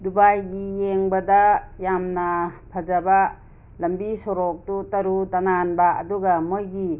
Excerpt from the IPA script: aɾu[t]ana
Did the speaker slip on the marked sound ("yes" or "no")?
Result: no